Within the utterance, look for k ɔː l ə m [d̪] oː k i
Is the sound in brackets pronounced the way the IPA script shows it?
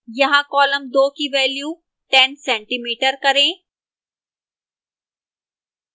yes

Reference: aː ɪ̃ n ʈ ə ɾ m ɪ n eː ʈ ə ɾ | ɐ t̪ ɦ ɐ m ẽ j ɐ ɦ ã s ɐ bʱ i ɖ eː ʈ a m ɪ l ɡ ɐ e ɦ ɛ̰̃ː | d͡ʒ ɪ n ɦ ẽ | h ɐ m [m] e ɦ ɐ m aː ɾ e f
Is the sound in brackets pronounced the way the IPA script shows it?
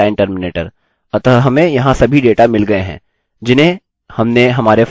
no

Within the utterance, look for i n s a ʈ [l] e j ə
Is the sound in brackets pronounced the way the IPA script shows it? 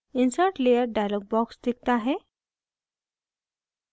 yes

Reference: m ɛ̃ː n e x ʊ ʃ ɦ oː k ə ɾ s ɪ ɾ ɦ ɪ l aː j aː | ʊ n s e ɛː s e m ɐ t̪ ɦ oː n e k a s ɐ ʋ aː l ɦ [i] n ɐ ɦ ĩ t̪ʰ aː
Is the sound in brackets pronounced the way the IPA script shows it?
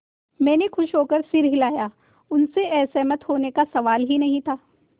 yes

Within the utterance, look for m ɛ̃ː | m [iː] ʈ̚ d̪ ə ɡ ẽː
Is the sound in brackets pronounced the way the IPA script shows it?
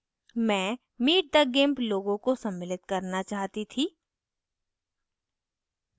yes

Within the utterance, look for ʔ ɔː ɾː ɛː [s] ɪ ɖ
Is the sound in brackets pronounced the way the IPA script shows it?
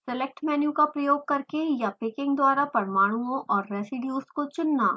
yes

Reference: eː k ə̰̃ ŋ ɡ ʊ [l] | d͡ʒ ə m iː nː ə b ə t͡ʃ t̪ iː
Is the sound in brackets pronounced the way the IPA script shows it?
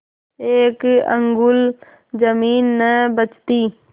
yes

